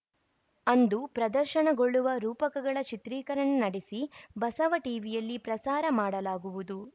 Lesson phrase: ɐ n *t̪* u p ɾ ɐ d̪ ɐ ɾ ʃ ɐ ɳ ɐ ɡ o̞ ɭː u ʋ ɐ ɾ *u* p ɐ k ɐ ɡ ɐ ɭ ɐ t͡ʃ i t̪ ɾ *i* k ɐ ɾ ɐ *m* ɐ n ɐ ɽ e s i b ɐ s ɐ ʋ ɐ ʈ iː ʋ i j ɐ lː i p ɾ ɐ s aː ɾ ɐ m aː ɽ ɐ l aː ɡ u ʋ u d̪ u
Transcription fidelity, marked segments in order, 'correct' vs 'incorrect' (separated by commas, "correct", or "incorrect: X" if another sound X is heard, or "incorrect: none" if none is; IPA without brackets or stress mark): incorrect: d̪, incorrect: uː, incorrect: iː, incorrect: ɳ